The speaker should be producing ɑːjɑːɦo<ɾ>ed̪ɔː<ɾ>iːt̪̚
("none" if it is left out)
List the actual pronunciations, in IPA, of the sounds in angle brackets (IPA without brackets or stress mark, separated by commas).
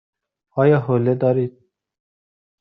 l, ɾ